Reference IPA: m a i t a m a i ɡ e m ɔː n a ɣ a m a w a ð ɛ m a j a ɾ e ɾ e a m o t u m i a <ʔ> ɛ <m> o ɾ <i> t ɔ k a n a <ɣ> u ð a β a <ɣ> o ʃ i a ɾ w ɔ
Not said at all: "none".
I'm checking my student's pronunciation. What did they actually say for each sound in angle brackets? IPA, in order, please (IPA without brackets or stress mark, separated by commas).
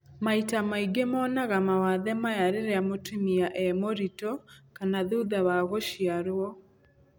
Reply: ʔ, m, i, ð, ɣ